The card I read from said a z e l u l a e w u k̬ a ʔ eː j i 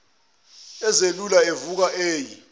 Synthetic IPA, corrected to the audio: ɛ z e l u l a e v u k̬ a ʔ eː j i